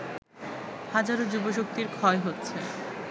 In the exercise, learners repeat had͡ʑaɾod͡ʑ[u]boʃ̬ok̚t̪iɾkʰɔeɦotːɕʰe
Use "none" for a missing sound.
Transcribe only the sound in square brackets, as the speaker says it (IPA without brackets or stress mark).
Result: u